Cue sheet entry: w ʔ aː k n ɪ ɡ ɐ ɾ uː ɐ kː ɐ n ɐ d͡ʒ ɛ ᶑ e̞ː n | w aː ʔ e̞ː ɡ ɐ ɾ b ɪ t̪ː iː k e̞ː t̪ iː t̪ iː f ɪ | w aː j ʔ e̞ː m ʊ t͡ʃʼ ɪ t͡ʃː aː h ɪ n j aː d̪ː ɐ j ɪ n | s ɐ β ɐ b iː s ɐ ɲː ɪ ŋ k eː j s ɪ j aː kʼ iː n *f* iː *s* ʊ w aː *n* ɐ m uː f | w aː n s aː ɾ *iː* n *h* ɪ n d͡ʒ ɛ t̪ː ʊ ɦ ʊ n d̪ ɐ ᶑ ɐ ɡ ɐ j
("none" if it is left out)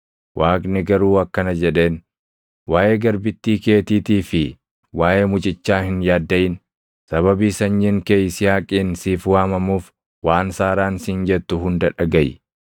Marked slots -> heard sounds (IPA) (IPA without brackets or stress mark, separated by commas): s, f, m, aː, s